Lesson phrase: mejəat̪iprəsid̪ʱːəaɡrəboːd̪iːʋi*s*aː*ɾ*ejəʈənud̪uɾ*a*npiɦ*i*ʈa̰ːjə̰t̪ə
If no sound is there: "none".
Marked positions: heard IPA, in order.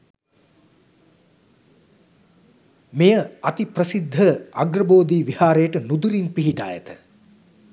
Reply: h, ɾ, i, i

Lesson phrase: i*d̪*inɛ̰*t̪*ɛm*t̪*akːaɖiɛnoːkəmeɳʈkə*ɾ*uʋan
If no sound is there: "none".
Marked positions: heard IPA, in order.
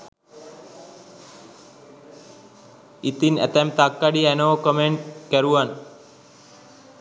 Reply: t̪, t̪, t̪, ɾ

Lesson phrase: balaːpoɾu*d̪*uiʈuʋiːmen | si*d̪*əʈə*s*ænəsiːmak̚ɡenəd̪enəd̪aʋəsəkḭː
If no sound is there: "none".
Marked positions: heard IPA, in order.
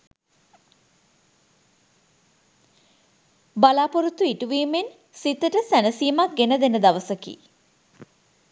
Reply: t̪, t̪, s

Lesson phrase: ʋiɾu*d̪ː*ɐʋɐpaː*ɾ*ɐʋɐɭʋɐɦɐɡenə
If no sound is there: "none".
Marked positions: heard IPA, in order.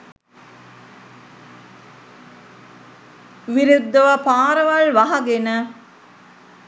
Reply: d̪ː, ɾ

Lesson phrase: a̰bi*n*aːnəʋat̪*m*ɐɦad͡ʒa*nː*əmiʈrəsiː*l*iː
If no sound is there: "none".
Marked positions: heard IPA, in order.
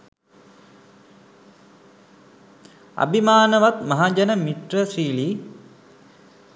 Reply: m, m, n, l

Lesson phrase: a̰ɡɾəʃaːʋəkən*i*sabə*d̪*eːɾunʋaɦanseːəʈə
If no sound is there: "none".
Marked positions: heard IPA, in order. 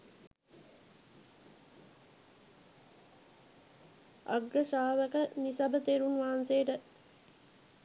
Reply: i, t̪

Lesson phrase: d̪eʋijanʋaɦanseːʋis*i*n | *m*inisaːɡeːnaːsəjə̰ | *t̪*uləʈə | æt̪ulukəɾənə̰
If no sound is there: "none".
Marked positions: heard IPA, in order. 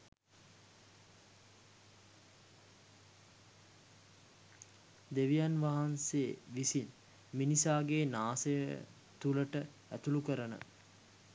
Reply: i, m, t̪

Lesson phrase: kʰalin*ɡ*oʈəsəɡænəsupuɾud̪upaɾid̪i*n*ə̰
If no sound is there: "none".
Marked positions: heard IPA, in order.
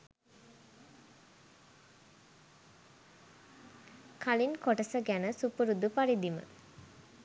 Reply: k, m

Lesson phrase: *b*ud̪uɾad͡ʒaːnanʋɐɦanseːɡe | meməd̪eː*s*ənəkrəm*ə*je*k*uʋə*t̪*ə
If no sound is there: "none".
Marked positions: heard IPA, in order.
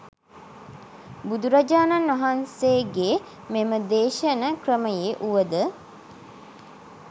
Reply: b, ʃ, ə, ʔ, d̪

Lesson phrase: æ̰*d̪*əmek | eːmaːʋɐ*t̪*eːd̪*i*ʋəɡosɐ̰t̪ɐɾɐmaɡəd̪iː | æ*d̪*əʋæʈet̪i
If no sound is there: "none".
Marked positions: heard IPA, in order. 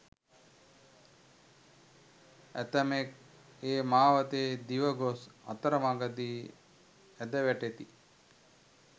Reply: t̪, t̪, i, d̪

